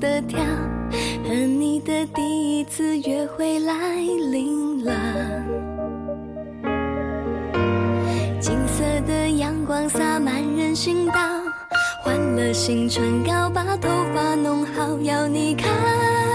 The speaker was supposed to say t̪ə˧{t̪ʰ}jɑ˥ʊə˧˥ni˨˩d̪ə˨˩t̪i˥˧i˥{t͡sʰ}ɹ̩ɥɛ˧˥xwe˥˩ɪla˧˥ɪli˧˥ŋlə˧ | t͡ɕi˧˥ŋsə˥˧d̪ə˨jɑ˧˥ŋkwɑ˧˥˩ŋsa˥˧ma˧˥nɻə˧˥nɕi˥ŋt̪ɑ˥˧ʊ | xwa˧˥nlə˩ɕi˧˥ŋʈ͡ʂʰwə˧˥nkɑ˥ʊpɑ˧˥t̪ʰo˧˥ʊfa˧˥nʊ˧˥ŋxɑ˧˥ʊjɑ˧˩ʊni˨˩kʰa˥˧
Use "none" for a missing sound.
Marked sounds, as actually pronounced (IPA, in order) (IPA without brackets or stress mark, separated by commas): t̪ʰ, t͡sʰ